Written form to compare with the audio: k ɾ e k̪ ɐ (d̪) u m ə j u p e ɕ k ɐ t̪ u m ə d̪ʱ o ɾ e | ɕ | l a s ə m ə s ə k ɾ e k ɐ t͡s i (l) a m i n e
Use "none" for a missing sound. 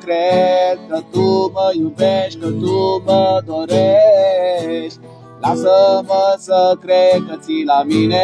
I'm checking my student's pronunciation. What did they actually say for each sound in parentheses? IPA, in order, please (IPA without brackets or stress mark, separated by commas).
t̪, l